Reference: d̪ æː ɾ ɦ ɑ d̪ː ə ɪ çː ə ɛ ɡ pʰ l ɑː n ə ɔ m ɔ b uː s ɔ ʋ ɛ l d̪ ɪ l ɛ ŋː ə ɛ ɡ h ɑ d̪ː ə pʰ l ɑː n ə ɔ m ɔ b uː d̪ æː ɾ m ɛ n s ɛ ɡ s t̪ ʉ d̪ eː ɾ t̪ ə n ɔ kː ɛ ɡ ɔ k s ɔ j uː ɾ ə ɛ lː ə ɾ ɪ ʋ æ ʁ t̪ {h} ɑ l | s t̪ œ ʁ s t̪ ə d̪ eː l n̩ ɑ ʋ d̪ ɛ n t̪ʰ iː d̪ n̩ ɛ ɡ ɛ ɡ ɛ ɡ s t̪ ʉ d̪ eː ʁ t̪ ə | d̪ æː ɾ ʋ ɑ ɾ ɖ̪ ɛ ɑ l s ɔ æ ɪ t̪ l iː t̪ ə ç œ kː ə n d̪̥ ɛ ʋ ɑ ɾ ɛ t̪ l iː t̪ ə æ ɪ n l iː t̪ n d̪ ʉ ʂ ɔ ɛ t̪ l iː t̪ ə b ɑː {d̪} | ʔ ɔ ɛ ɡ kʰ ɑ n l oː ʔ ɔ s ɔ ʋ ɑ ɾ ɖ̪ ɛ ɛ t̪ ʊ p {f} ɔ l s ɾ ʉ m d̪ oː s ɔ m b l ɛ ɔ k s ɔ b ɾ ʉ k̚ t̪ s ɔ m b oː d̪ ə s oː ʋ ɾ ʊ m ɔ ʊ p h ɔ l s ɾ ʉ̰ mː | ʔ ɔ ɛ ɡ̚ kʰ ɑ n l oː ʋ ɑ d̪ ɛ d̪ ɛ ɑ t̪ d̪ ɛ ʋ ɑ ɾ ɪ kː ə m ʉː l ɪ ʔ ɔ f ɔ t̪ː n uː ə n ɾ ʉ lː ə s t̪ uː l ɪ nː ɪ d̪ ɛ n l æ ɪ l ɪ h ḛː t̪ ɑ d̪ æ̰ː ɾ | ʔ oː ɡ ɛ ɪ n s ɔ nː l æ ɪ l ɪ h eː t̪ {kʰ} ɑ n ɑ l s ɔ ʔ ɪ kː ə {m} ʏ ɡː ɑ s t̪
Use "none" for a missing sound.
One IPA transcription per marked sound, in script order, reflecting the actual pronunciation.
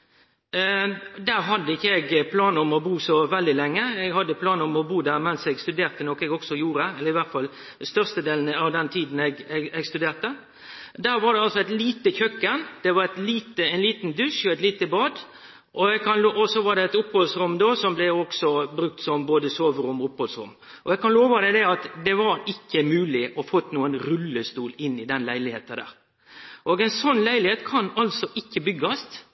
f, d̪, h, kʰ, b

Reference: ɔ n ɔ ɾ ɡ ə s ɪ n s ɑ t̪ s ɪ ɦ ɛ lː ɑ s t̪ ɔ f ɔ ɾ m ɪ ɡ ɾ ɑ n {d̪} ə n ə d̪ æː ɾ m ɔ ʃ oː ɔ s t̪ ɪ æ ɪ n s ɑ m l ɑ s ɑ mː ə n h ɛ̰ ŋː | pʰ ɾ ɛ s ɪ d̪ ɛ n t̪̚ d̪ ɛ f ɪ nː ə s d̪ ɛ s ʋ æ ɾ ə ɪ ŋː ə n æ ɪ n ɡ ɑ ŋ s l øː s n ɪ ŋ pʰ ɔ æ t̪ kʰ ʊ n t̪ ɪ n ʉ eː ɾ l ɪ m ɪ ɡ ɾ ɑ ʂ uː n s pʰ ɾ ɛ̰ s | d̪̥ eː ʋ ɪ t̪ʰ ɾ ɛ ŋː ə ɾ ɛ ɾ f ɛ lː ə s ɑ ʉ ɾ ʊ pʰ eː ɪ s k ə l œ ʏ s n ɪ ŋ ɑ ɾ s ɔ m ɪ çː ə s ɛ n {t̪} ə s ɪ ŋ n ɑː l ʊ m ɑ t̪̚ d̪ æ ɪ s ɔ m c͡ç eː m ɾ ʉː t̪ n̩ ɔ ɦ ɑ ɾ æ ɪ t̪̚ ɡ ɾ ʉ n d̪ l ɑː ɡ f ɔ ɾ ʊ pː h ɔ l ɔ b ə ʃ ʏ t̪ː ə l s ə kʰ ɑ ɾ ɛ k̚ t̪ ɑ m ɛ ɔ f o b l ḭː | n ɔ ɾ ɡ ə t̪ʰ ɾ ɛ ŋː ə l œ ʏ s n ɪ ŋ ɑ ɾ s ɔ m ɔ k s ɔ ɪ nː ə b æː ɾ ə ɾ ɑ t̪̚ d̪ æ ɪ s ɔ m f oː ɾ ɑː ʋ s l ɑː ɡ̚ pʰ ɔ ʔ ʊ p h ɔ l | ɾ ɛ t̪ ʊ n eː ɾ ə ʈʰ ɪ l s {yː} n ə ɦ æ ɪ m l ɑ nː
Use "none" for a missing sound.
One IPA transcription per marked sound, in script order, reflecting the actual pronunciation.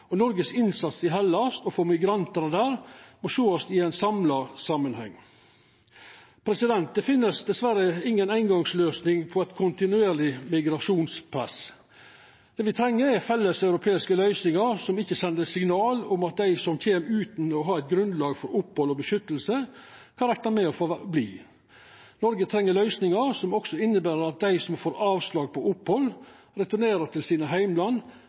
t̪, d̪, iː

